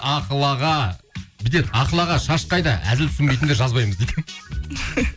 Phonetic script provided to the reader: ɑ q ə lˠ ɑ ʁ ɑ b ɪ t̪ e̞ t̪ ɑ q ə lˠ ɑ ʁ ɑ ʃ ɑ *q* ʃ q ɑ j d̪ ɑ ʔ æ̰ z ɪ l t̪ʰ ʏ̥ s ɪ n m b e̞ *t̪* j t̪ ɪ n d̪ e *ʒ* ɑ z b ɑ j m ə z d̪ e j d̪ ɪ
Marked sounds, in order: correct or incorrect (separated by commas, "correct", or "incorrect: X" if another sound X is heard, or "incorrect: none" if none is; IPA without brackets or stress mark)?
incorrect: none, incorrect: none, correct